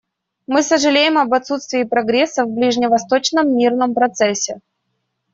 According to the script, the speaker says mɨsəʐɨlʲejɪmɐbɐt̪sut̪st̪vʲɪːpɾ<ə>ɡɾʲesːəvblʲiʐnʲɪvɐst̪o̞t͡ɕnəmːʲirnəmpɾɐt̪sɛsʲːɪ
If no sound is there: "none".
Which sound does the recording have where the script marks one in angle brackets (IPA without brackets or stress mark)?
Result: ɐ